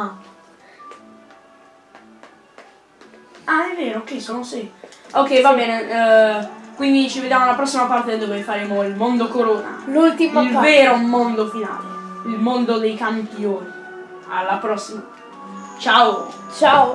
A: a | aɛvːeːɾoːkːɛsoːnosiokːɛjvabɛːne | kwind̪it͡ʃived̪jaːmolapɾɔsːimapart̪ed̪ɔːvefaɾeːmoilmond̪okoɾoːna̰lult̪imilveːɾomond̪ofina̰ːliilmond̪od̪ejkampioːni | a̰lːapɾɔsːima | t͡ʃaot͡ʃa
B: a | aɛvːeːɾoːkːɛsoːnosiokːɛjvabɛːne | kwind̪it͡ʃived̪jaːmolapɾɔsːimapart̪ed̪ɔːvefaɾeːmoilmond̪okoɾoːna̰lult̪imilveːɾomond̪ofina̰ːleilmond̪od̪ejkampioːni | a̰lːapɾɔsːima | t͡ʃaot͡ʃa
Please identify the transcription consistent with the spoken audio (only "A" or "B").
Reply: B